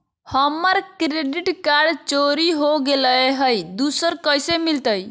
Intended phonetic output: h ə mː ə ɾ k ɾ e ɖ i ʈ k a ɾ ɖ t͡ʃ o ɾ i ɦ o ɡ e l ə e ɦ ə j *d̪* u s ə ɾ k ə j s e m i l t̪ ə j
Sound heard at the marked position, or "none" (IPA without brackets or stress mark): d̪